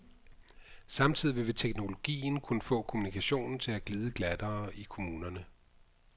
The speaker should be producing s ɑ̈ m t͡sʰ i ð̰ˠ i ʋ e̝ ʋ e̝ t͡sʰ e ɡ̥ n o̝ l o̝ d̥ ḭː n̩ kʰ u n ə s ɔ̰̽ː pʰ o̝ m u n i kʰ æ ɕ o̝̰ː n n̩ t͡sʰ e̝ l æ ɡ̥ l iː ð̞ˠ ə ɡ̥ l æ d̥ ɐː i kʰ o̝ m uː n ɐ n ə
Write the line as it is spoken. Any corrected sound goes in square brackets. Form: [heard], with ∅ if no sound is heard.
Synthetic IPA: s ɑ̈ m t͡sʰ i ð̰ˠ i ʋ e̝ ʋ e̝ t͡sʰ e ɡ̥ n o̝ l o̝ [ɡ̥] ḭː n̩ kʰ u n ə [f] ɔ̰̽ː [kʰ] o̝ m u n i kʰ æ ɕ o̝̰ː n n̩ t͡sʰ e̝ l æ ɡ̥ l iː ð̞ˠ ə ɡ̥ l æ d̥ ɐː i kʰ o̝ m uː n ɐ n ə